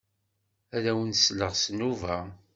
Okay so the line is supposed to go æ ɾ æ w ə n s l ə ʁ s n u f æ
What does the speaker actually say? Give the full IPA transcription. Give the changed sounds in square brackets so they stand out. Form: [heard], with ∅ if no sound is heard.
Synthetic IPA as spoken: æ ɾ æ w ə n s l ə ʁ s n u [v] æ